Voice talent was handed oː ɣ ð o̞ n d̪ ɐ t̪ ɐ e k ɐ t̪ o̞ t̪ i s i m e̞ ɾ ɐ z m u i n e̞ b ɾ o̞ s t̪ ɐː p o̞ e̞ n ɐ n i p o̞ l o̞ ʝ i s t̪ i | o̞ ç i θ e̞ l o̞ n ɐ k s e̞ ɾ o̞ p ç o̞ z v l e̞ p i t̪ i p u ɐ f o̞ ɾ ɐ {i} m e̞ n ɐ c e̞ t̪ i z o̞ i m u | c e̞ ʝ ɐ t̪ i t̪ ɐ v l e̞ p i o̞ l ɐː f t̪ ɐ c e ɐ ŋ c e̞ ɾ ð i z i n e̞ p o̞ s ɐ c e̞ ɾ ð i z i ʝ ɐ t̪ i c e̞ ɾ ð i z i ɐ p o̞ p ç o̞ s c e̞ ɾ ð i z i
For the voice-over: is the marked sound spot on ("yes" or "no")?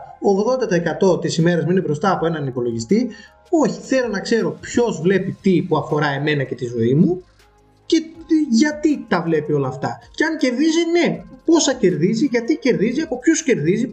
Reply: no